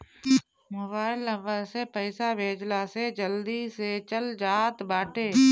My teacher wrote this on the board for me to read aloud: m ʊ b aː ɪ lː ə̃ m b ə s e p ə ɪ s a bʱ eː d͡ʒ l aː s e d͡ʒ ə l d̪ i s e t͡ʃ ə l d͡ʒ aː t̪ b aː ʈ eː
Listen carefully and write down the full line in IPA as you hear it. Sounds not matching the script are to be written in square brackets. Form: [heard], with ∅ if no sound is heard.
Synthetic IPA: m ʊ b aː ɪ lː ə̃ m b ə s e p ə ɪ s a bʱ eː d͡ʒ l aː s e d͡ʒ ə l d̪ i s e t͡ʃ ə l d͡ʒ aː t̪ b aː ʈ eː